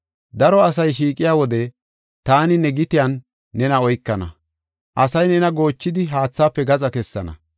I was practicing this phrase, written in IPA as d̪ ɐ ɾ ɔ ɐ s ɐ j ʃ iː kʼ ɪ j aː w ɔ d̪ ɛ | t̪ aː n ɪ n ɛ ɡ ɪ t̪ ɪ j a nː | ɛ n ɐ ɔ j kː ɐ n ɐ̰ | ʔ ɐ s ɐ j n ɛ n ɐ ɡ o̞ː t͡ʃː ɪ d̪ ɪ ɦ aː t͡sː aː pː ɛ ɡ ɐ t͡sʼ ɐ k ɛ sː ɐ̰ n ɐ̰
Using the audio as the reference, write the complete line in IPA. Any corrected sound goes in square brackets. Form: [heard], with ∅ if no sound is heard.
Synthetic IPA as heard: d̪ ɐ ɾ ɔ ɐ s ɐ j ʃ iː kʼ ɪ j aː w ɔ d̪ ɛ | t̪ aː n ɪ n ɛ ɡ ɪ t̪ ɪ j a nː | ɛ n ɐ ɔ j kː ɐ n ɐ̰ | ʔ ɐ s ɐ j n ɛ n ɐ ɡ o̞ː t͡ʃː ɪ d̪ ɪ ɦ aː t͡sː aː pː ɛ ɡ ɐ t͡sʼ ɐ k ɛ sː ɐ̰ n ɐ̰